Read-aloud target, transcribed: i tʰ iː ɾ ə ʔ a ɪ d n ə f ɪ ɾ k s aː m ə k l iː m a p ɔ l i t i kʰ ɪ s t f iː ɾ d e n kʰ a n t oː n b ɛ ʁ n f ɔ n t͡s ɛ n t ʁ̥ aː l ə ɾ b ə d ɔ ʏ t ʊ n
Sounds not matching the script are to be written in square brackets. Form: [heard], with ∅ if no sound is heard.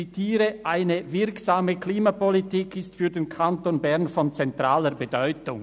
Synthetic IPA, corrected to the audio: i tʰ iː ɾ ə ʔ a ɪ [∅] n ə [v] ɪ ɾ k s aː m ə k l iː m a p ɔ l i t i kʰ ɪ s t f [yː] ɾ d e n kʰ a n t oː n b ɛ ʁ n f ɔ n t͡s ɛ n t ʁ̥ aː l ə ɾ b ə d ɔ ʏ t ʊ [ŋ]

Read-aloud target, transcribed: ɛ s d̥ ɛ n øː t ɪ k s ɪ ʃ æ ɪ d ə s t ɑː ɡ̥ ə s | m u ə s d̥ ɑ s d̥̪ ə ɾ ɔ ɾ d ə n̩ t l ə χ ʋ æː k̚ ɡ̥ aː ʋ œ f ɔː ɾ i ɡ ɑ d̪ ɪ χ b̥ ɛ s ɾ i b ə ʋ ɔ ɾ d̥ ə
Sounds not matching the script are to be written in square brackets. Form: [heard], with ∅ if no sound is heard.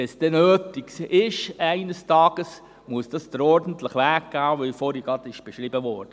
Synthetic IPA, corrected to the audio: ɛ s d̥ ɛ n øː t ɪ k s ɪ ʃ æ ɪ [n] ə s t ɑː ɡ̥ ə s | m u ə s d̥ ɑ s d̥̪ ə ɾ ɔ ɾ d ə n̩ t l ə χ ʋ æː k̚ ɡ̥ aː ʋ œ f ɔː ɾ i ɡ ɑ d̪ ɪ [ʃ] b̥ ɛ [ʃ] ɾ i b ə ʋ ɔ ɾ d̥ ə

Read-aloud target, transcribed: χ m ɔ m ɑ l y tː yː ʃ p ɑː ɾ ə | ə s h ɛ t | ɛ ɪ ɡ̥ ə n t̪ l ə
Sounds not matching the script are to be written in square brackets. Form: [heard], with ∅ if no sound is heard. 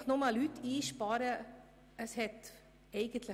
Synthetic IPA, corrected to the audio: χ [n] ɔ m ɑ l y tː [iː] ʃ p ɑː ɾ ə | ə s h ɛ t | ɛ ɪ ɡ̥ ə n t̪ l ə

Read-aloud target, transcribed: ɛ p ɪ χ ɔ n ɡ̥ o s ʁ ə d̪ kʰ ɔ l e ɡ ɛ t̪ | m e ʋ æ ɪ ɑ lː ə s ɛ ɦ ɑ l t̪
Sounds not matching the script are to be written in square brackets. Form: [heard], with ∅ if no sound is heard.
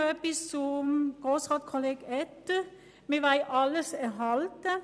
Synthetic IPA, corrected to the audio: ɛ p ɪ [s] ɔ [m] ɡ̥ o s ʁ [ɑ] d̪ kʰ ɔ l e ɡ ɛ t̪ | m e ʋ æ ɪ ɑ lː ə s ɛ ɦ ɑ l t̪

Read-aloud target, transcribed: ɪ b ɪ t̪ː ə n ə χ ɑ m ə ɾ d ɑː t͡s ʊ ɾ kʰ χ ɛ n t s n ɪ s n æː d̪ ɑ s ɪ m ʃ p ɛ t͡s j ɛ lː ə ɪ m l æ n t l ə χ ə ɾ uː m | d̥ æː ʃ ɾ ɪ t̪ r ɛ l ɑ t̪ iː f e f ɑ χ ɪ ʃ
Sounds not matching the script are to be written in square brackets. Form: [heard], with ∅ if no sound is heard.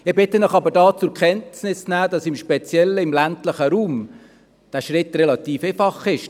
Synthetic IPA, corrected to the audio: ɪ b ɪ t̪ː ə n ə χ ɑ [b] ə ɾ d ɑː t͡s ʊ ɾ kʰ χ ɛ n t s n ɪ s n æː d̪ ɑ s ɪ m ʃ p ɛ t͡s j ɛ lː ə ɪ m l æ n t l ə χ ə ɾ uː m | d̥ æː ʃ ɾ ɪ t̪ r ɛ l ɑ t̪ iː f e f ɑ χ ɪ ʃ

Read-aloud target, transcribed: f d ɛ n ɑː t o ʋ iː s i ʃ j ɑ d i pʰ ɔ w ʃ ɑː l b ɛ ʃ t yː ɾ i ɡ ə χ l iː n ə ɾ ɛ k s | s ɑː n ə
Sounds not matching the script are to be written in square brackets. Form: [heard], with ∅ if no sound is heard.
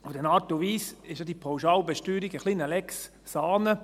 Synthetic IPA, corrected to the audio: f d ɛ n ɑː t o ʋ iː s [ɪ] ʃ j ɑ d i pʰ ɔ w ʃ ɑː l b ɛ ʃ t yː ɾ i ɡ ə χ l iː n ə [l] ɛ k s | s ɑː n ə

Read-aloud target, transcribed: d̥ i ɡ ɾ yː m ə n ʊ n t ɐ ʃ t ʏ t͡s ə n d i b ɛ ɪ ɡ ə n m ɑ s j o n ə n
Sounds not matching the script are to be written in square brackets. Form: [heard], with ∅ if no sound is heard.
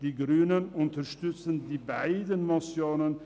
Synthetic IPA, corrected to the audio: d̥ i ɡ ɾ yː [n] ə n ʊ n t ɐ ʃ t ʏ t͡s ə n d i b [a] ɪ [d] ə n m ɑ s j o n ə n

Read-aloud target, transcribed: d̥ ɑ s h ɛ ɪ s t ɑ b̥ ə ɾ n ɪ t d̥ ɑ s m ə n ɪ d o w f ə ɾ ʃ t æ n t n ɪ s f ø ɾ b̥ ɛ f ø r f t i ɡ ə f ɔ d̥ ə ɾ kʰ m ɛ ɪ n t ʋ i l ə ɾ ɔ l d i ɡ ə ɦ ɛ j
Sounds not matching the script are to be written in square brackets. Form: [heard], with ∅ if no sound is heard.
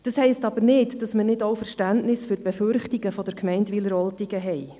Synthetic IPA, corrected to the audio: d̥ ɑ s h ɛ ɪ s t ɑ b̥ ə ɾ n ɪ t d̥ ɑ s m ə n ɪ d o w f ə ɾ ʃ t æ n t n ɪ s f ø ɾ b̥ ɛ f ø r [χ] t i ɡ ə f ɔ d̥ ə ɾ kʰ m ɛ ɪ n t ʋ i l ə ɾ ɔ l [t] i ɡ ə ɦ ɛ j

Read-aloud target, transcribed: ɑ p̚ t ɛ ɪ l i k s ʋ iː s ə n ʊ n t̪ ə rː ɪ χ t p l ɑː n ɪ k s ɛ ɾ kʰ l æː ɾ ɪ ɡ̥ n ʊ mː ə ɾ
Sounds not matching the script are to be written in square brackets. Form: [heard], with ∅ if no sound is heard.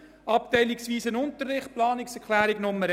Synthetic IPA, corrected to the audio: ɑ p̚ t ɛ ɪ l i k s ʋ iː s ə n ʊ n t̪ ə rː ɪ χ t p l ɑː n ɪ k s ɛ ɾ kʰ l æː ɾ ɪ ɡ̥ n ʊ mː ə ɾ

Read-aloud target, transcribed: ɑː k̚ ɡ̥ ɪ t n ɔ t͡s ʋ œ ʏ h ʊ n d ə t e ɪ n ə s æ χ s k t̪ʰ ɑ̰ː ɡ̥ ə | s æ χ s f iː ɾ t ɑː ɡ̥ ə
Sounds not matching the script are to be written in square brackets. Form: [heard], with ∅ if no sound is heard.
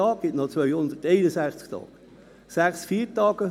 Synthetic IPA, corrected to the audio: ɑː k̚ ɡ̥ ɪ t n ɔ t͡s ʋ œ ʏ h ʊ n d ə t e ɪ n ə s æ χ [t͡s] k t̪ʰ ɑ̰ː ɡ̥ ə | s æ χ s f iː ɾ t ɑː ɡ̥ ə

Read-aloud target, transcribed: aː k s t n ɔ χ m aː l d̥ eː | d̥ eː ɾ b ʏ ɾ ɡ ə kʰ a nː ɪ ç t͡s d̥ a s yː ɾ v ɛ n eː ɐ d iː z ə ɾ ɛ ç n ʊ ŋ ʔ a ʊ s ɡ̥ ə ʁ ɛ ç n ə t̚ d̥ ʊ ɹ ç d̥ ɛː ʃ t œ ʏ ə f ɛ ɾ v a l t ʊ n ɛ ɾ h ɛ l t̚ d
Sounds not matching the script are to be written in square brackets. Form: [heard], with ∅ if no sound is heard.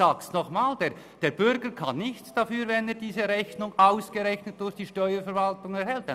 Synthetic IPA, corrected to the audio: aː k s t n ɔ χ m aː l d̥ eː | d̥ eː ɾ b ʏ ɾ ɡ ə kʰ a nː ɪ ç t͡s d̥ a [f] yː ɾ v ɛ n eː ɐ d iː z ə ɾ ɛ ç n ʊ ŋ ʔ a ʊ s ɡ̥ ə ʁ ɛ ç n ə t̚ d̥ ʊ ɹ ç d̥ [iː] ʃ t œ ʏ ə f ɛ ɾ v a l t ʊ [ŋ] ɛ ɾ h ɛ l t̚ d

